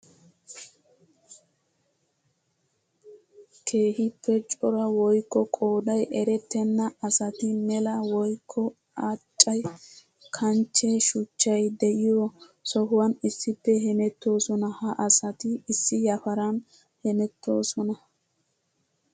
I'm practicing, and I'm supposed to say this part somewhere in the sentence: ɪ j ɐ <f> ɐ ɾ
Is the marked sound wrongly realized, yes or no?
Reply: no